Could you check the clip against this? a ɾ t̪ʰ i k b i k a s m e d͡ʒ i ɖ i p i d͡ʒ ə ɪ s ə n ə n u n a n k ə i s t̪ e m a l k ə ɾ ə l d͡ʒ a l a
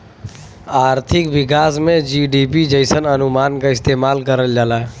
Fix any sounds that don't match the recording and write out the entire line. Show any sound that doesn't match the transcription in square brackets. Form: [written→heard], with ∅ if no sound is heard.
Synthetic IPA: a ɾ t̪ʰ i k b i k a s m e d͡ʒ i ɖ i p i d͡ʒ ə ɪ s ə n ə n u [n→m] a n k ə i s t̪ e m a l k ə ɾ ə l d͡ʒ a l a